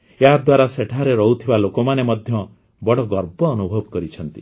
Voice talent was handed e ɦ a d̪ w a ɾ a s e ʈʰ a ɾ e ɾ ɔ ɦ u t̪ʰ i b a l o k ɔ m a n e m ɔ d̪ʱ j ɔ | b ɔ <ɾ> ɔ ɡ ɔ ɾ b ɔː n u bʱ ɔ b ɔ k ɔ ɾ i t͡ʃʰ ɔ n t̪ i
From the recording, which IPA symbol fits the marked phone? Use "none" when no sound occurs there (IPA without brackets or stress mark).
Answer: ɽ